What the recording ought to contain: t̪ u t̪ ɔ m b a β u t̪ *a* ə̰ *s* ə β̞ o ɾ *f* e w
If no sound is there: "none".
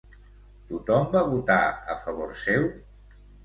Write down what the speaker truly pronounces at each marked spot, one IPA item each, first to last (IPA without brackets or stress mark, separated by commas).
a, f, s